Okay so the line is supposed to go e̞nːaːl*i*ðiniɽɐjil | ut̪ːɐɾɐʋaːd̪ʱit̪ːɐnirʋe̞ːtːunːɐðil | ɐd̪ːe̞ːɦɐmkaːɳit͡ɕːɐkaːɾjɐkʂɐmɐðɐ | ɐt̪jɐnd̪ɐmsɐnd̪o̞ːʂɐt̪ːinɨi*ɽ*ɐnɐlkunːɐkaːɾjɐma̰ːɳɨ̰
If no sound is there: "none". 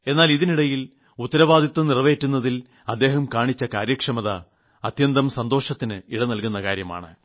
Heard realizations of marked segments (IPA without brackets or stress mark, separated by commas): i, ɽ